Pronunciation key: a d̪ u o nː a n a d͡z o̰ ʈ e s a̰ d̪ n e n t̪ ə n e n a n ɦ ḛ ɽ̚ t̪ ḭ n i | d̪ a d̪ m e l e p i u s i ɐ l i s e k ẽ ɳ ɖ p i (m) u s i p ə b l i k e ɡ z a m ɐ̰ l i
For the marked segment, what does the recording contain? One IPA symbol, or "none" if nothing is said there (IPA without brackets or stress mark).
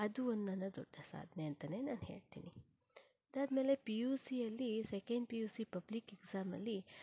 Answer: none